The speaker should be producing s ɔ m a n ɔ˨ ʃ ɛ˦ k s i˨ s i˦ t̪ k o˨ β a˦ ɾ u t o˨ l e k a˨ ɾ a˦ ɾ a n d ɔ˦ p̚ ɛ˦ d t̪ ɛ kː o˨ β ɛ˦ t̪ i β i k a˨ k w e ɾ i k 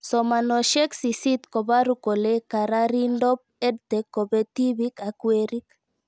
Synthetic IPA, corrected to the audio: s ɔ m a n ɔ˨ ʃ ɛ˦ k s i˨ s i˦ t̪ k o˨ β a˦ ɾ u k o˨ l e k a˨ ɾ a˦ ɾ i n d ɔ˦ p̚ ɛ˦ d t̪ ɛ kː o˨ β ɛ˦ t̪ i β i k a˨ k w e ɾ i k